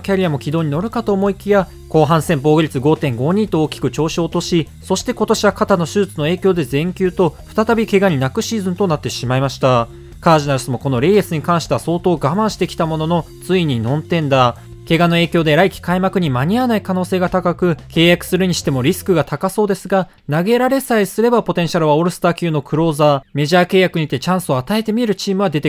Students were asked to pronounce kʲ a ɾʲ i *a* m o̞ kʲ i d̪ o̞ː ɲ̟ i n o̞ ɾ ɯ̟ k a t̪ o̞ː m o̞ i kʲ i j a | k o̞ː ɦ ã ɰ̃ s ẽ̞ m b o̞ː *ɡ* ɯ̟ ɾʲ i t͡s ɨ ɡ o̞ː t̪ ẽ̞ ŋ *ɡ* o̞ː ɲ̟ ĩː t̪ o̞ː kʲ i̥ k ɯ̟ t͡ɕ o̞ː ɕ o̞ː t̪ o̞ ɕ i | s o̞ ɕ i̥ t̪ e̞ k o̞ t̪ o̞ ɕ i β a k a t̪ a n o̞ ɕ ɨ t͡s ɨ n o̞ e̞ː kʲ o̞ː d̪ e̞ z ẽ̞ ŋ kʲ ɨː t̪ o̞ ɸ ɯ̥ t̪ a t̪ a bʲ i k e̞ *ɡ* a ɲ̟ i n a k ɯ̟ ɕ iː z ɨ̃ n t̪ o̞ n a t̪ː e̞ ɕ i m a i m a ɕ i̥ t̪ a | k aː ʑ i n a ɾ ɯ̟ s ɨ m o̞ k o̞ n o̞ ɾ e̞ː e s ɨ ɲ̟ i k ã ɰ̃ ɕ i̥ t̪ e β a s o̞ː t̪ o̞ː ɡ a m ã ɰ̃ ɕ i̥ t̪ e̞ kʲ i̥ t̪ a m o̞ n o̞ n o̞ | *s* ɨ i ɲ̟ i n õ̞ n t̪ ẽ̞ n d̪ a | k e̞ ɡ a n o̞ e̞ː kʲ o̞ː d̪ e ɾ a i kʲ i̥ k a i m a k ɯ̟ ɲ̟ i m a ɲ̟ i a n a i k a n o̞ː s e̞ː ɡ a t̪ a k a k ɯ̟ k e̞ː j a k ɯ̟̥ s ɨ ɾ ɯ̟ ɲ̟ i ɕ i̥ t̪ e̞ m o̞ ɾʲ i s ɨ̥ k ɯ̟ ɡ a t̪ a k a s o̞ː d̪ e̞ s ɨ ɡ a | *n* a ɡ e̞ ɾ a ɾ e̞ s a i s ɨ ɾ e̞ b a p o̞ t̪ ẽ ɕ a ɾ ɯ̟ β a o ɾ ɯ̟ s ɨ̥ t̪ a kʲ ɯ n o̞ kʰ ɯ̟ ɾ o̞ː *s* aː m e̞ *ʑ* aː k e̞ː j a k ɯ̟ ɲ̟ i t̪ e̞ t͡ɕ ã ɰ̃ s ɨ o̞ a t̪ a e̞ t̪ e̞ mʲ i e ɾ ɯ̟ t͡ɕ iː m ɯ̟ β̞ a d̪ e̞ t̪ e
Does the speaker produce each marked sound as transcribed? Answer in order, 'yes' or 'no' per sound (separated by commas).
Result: yes, yes, yes, yes, no, yes, no, yes